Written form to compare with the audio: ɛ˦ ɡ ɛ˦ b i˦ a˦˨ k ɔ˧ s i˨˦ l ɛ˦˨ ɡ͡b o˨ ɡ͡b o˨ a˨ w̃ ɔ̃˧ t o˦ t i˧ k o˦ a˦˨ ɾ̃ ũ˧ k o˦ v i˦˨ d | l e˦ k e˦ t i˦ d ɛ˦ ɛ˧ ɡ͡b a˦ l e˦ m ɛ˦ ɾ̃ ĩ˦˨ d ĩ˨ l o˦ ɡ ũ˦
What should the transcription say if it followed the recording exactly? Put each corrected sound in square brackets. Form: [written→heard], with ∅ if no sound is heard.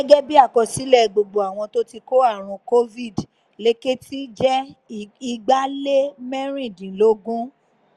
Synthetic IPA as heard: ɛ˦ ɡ ɛ˦ b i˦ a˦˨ k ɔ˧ s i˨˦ l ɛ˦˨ ɡ͡b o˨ ɡ͡b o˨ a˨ w̃ ɔ̃˧ t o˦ t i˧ k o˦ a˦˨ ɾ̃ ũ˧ k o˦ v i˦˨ d | l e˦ k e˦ t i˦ [d→d͡ʒ] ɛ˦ [ɛ˧→i˧] ɡ͡b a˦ l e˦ m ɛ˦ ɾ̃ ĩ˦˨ d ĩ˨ l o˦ ɡ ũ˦